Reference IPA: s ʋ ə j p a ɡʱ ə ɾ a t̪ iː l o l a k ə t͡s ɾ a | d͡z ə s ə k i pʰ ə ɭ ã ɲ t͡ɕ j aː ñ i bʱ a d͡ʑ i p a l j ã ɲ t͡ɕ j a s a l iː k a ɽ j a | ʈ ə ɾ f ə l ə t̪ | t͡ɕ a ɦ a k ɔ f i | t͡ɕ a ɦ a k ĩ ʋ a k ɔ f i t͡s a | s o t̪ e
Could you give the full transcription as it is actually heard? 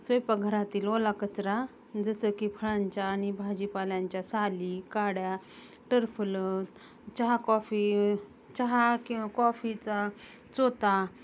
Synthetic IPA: s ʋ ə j p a ɡʱ ə ɾ a t̪ iː l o l a k ə t͡s ɾ a | d͡z ə s ə k i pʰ ə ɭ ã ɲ t͡ɕ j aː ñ i bʱ a d͡ʑ i p a l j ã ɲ t͡ɕ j a s a l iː k a ɽ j a | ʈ ə ɾ f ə l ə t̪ | t͡ɕ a ɦ a k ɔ f i | t͡ɕ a ɦ a k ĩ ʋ a k ɔ f i t͡s a | t͡s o t̪ a

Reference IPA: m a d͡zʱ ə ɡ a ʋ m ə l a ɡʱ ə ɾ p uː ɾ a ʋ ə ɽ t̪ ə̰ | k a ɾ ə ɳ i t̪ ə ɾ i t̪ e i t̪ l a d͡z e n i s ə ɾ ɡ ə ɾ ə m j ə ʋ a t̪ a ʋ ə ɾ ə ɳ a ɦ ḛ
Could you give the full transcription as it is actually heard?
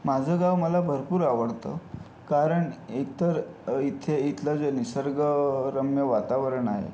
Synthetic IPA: m a d͡zʱ ə ɡ a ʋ m ə l a bʱ ə ɾ p uː ɾ a ʋ ə ɽ t̪ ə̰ | k a ɾ ə ɳ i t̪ ə ɾ i t̪ʰ e i t̪ l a d͡z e n i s ə ɾ ɡ ə ɾ ə m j ə ʋ a t̪ a ʋ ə ɾ ə ɳ a ɦ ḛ

